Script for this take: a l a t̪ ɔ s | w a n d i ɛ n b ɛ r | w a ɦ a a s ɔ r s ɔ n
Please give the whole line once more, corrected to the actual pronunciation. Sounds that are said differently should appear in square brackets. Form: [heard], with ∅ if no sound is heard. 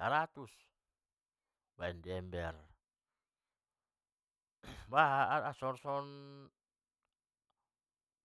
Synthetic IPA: a [ɾ] a t̪ [u] s | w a n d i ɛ [m] b ɛ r | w a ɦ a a s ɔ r s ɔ n

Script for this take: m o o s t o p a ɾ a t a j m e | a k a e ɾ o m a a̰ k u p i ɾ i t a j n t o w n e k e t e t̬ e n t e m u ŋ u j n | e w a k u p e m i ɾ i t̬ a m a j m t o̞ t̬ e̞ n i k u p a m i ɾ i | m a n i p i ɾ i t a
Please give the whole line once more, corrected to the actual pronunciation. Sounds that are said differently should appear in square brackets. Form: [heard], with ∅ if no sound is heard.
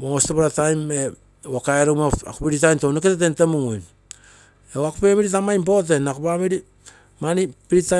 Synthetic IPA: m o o s t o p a ɾ a t a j m e | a k a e ɾ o m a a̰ k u p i ɾ i t a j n t o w n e k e t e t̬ e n t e m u ŋ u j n | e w a k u p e m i ɾ i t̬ a m a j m [p] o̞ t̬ e̞ n [a] k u p a m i ɾ i | m a n i p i ɾ i t a

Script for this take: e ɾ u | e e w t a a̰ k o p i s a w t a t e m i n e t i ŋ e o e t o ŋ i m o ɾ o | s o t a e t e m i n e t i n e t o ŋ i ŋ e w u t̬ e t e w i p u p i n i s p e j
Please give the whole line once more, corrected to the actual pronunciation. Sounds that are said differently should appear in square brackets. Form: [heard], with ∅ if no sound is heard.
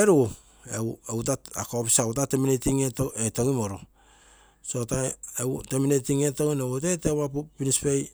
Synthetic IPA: e ɾ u | e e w t a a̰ k o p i s a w t a t e m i n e t i ŋ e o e t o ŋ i m o ɾ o | s o t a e t e m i n e t i [ŋ] e t o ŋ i [n] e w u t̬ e t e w [a] p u p i n i s p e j

